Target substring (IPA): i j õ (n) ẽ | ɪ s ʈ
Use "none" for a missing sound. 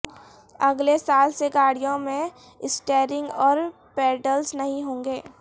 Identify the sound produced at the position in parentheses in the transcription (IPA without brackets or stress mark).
m